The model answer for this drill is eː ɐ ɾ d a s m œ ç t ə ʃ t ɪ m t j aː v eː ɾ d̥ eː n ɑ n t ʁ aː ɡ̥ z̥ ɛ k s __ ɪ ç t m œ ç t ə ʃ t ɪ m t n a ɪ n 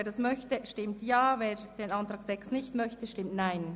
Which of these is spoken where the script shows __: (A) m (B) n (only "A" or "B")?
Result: B